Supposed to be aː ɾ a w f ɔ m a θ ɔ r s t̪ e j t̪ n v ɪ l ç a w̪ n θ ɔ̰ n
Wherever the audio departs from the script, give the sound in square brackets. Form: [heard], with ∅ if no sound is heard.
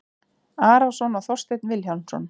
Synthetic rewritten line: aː ɾ a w [s] ɔ [n] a θ ɔ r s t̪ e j t̪ n v ɪ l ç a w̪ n [s] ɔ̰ n